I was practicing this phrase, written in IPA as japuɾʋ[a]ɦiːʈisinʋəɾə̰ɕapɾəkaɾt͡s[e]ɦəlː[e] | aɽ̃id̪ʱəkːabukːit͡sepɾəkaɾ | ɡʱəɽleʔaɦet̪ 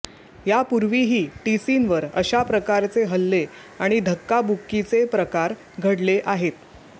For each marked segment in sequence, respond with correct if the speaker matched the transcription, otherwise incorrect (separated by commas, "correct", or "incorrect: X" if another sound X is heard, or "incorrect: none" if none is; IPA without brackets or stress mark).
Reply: incorrect: i, correct, correct